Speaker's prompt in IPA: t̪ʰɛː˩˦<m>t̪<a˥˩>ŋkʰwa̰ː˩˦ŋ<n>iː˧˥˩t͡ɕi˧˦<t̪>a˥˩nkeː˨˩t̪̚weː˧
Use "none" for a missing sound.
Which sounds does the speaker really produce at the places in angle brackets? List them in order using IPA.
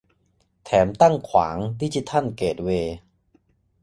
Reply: m, a˥˩, d, t̪ʰ

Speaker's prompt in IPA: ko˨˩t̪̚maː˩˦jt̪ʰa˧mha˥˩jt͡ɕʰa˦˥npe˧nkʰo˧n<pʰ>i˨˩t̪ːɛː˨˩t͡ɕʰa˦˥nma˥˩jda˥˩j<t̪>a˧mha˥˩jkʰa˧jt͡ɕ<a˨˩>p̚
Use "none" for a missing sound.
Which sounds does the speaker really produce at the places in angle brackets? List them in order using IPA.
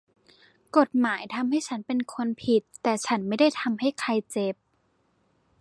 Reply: pʰ, t̪ʰ, e˨˩

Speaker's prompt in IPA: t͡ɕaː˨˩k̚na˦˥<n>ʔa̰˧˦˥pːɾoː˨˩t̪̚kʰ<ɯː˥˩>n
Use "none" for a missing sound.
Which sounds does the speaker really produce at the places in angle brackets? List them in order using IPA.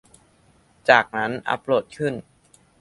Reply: n, ɯ˥˩

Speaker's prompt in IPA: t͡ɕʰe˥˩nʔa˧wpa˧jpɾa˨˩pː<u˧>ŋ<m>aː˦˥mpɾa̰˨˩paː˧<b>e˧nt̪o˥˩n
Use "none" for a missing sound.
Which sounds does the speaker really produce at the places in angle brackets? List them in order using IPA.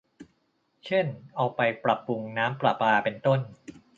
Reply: u˧, n, p

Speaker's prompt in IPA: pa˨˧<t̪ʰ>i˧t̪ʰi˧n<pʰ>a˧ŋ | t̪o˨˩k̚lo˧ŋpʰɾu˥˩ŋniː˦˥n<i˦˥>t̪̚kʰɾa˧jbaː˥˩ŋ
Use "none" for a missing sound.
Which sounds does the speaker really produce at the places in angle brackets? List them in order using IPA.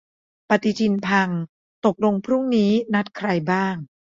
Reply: t̪, pʰ, a˦˥

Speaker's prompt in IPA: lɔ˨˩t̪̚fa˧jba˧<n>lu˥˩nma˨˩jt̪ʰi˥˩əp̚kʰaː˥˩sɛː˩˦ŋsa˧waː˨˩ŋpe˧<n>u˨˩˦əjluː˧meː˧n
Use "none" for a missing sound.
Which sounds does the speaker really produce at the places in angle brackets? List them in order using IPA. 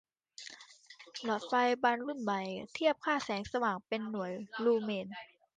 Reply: n, nː

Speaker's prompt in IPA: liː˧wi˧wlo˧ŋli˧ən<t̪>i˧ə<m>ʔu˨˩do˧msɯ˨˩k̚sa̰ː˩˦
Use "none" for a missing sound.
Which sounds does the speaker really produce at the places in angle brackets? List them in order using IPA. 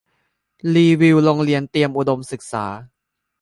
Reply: t̪, m

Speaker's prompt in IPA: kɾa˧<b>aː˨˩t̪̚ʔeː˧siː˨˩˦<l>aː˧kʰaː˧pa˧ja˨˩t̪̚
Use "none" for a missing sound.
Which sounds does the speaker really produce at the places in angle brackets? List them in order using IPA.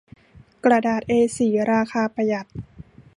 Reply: d, ɾ

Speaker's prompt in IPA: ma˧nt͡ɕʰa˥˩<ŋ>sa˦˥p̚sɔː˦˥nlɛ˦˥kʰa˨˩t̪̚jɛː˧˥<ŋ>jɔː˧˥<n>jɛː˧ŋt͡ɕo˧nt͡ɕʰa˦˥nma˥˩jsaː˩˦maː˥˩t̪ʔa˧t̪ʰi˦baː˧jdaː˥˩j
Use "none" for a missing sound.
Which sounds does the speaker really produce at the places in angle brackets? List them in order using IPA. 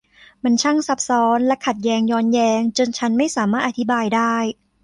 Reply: ŋ, ŋ, n

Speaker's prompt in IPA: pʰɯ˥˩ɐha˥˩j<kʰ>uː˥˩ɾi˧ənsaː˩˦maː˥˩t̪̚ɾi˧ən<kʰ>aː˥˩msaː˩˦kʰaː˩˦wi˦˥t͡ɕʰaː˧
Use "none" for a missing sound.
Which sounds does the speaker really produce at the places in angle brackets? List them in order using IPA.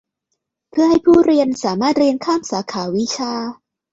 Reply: pʰ, kʰ

